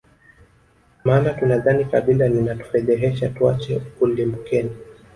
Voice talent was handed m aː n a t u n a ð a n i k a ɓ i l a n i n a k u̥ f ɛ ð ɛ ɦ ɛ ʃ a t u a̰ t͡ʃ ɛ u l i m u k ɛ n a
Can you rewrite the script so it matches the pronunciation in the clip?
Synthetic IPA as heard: m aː n a t u n a ð a n i k a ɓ i l a n i n a t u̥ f ɛ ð ɛ ɦ ɛ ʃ a t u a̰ t͡ʃ ɛ u l i m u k ɛ n i